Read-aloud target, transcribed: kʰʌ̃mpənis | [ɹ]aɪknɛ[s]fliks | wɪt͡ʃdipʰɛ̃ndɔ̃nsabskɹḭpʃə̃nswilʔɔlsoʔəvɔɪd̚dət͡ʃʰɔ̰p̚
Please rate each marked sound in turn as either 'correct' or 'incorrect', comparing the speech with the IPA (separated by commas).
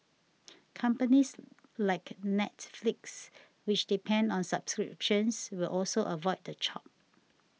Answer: incorrect, incorrect